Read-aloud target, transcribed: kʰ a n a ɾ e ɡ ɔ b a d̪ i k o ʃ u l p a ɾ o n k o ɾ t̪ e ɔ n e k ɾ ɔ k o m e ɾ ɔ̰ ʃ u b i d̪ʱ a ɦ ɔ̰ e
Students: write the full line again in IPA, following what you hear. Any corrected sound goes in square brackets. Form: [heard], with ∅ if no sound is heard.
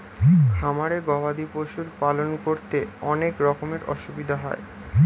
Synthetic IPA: kʰ a [m] a ɾ e ɡ ɔ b a d̪ i [p] o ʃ u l p a [l] o n k o ɾ t̪ e ɔ n e k ɾ ɔ k o m e ɾ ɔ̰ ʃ u b i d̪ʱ a ɦ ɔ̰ e